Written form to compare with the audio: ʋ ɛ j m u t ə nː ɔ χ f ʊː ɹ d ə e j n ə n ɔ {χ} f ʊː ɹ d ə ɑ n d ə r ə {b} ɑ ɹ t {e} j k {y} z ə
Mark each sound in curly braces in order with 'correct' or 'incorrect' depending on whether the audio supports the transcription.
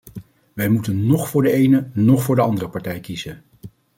correct, incorrect: p, incorrect: ɛ, incorrect: i

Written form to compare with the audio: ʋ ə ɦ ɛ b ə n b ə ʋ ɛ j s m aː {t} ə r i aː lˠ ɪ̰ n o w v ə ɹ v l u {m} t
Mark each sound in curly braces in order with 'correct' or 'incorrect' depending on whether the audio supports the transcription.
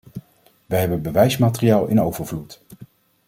correct, incorrect: none

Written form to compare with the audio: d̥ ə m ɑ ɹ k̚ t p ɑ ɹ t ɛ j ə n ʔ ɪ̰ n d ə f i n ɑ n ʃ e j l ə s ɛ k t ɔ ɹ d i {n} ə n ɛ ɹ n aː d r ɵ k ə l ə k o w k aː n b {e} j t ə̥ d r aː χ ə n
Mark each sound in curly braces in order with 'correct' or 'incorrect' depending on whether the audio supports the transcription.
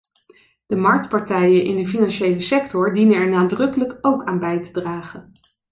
correct, incorrect: ɛ

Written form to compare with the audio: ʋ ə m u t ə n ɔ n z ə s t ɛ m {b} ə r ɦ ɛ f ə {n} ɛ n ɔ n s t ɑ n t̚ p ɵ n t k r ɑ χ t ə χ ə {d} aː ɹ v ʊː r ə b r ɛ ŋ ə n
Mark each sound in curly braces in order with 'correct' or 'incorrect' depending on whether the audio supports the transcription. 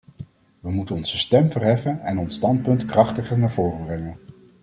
incorrect: v, correct, incorrect: n

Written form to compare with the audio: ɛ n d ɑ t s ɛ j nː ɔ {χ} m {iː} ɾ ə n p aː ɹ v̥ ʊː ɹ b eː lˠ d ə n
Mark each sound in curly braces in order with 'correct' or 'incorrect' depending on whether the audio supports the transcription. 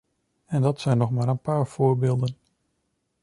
correct, incorrect: aː

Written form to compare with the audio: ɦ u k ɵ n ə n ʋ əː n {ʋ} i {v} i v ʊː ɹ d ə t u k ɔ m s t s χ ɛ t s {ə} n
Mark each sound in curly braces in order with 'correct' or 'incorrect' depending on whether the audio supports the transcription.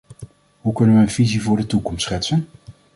incorrect: v, incorrect: z, correct

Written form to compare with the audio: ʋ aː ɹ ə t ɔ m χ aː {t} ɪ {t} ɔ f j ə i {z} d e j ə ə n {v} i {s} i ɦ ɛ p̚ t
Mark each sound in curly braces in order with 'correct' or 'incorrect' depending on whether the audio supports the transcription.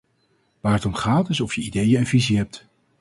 correct, incorrect: s, incorrect: none, correct, incorrect: z

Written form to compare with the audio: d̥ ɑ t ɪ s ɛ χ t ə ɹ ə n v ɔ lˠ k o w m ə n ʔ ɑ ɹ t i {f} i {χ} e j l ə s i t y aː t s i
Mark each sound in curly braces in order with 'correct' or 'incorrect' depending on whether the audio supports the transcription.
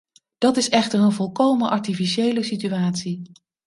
correct, incorrect: ʃ

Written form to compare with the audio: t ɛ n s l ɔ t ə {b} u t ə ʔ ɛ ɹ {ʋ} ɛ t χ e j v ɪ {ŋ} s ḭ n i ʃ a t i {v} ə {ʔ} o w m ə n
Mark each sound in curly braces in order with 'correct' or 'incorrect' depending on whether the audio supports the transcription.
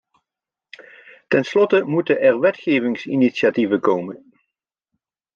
incorrect: m, correct, correct, correct, incorrect: k

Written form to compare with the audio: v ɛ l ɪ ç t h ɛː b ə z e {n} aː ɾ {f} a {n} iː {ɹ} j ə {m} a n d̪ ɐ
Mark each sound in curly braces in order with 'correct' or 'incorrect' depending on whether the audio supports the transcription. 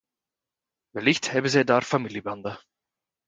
incorrect: d, correct, incorrect: m, incorrect: l, incorrect: b

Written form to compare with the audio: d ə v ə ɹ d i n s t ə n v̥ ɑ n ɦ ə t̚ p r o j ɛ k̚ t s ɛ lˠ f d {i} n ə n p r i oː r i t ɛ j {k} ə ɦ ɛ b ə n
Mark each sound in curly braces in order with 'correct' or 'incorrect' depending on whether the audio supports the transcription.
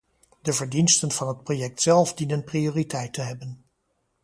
correct, incorrect: t

